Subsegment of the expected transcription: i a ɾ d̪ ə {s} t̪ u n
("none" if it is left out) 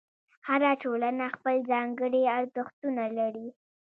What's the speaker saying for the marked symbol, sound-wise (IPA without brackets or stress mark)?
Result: x